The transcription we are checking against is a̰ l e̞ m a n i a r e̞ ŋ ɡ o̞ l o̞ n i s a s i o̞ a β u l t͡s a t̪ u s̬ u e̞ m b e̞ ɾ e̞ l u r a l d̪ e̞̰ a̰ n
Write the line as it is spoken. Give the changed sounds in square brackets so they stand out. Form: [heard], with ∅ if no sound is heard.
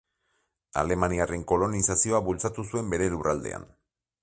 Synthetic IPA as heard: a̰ l e̞ m a n i a r e̞ ŋ [k] o̞ l o̞ n i s a s i o̞ a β u l t͡s a t̪ u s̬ u e̞ m b e̞ ɾ e̞ l u r a l d̪ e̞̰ a̰ n